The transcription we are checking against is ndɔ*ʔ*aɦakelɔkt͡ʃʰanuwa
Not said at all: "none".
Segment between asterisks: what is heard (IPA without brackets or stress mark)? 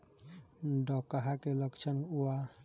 k